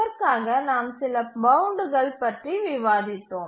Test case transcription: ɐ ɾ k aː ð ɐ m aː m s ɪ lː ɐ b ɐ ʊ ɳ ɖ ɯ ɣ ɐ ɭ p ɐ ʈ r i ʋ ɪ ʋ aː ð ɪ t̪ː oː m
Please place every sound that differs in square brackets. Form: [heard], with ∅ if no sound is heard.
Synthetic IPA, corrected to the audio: ɐ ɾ k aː [ɣ] ɐ [n] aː m s ɪ [l] ɐ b ɐ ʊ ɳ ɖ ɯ ɣ ɐ ɭ p ɐ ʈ r i ʋ ɪ ʋ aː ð ɪ t̪ː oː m